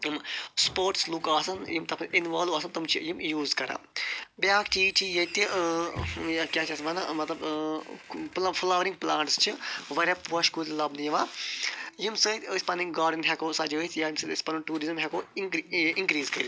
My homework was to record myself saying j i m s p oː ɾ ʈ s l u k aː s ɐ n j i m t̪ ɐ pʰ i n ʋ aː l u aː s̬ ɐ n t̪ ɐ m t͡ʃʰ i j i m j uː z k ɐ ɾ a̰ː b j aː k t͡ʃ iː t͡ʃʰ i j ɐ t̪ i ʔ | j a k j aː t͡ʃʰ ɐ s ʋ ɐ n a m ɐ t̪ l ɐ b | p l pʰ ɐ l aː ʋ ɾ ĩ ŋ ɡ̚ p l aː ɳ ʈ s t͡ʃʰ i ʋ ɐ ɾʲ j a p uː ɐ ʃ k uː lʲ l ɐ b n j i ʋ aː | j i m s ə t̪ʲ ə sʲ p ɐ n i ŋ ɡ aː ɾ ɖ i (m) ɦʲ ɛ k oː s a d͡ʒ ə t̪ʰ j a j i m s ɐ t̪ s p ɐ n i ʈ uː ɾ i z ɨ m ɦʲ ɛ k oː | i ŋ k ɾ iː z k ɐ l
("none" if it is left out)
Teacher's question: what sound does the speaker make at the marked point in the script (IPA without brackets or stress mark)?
n